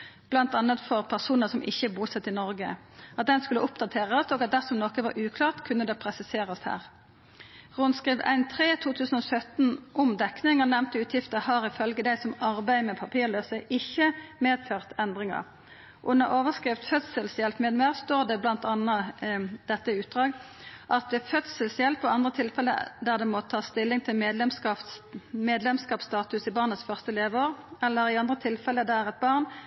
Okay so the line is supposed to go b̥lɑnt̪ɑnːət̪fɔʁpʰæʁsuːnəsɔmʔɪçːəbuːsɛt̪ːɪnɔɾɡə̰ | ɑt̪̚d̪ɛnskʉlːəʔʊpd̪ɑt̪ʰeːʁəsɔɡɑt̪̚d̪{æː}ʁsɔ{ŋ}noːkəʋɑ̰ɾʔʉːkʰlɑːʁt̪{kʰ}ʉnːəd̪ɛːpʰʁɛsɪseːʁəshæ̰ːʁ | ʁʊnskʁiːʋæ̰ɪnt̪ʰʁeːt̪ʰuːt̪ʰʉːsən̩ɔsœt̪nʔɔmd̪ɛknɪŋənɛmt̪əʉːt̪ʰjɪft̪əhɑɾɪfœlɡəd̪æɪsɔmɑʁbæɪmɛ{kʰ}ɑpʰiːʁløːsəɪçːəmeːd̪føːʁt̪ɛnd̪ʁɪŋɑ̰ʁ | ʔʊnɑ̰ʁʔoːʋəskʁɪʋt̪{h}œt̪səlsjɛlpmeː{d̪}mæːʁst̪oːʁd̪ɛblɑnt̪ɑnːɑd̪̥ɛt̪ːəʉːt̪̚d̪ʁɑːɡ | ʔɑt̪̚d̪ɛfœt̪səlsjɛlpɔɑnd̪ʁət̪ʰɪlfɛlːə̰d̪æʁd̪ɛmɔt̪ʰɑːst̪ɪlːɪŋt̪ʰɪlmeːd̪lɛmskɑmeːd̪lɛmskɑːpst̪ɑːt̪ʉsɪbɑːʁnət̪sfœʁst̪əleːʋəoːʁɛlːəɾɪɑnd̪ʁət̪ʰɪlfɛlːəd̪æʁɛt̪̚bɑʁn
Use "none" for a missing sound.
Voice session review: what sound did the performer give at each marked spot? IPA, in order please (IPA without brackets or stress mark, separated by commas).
æ, m, kʰ, pʰ, f, d̪